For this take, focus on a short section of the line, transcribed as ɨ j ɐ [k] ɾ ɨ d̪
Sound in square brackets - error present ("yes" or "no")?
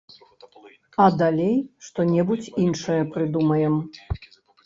yes